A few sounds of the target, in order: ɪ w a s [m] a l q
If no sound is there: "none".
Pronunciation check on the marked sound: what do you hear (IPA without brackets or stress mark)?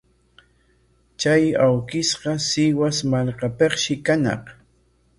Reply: m